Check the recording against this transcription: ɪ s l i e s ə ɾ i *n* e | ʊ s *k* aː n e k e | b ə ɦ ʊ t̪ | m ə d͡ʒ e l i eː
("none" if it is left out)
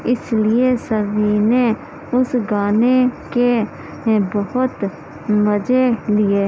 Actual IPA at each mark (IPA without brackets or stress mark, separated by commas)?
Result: n, ɡ